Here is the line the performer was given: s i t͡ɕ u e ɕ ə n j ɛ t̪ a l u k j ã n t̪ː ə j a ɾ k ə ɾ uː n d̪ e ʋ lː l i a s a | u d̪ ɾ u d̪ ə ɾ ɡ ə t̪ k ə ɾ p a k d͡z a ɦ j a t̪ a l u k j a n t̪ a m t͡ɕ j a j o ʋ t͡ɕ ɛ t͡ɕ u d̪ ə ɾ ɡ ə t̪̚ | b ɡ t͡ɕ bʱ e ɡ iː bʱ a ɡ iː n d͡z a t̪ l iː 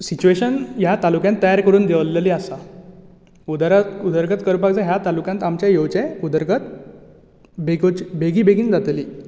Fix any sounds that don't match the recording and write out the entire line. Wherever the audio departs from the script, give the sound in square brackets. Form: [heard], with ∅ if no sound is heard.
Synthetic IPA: s i t͡ɕ u e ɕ ə n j [a] t̪ a l u k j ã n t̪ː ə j a ɾ k ə ɾ uː n d̪ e ʋ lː l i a s a | u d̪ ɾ u d̪ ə ɾ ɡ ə t̪ k ə ɾ p a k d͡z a ɦ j a t̪ a l u k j a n t̪ a m t͡ɕ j a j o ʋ t͡ɕ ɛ [∅] u d̪ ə ɾ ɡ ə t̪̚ | b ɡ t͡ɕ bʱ e ɡ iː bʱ [e] ɡ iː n d͡z a t̪ l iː